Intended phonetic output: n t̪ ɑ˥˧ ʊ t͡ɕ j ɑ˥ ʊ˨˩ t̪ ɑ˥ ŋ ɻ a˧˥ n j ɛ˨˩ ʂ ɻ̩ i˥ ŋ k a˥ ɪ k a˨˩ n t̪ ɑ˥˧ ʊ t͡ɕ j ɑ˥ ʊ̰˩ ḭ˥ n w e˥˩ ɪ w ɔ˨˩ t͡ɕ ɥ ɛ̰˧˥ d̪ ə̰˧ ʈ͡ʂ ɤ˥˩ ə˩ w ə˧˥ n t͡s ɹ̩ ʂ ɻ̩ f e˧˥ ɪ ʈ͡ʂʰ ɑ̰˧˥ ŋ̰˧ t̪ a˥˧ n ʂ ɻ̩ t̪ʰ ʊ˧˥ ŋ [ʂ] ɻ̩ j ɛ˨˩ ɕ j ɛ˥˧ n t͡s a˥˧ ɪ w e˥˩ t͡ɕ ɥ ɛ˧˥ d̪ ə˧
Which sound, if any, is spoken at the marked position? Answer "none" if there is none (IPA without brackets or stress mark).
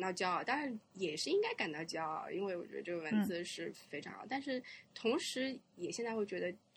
ʂ